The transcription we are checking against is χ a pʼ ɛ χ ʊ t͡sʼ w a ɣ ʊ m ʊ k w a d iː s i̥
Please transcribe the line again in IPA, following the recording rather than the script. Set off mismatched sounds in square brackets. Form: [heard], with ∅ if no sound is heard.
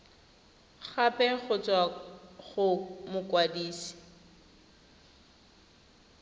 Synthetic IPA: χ a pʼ ɛ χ ʊ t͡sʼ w a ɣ ʊ m ʊ k w a d iː s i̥